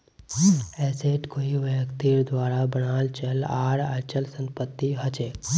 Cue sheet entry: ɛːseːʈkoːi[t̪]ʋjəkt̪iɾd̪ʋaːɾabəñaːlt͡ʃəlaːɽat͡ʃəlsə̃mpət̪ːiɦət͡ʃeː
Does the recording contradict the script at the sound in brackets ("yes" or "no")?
yes